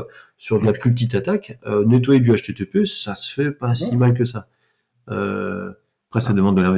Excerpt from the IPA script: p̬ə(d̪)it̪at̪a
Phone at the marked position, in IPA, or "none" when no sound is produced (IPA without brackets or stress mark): t̪